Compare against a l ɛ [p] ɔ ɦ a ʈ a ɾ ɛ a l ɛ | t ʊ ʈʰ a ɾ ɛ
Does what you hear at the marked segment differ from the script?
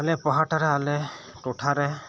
no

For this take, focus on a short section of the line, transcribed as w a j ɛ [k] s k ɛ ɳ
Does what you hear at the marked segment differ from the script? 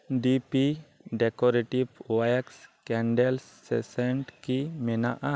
no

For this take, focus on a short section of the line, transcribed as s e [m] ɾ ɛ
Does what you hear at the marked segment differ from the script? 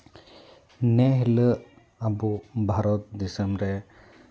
no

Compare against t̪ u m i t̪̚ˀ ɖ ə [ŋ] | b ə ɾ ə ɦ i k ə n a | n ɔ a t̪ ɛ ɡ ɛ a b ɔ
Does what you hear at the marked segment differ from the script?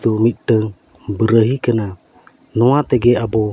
no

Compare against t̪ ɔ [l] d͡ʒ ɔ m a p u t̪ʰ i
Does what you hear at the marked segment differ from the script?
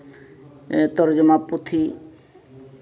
yes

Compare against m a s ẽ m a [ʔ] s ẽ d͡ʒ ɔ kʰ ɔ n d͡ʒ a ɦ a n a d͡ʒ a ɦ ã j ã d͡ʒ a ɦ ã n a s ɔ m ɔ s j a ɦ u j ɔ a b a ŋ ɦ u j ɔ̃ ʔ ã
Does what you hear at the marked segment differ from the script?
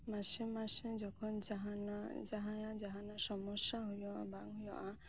yes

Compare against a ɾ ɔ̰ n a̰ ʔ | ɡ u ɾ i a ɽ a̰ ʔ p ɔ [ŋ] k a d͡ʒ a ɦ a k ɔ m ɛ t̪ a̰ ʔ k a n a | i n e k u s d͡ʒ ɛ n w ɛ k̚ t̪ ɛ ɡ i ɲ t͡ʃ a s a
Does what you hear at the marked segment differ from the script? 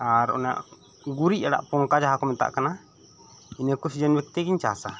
no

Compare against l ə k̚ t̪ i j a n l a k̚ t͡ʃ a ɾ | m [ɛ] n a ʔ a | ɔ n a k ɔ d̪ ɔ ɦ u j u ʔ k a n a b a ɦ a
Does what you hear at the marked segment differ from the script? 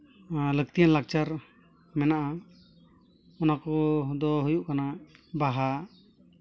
no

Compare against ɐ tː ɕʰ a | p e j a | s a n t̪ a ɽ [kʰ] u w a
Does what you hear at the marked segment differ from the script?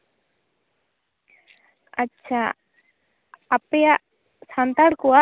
yes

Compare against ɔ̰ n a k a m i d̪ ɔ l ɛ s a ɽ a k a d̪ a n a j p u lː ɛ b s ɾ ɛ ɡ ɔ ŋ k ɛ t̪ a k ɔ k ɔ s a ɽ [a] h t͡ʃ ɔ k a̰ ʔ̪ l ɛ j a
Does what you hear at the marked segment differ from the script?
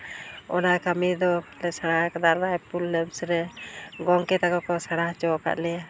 no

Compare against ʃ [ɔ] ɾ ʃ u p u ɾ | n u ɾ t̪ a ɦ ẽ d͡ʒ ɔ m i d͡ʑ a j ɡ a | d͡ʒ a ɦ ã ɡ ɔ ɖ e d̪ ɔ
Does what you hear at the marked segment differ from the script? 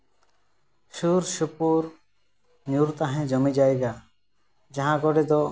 yes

